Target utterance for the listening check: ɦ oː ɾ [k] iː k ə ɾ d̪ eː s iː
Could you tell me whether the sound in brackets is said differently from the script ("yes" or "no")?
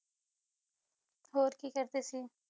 no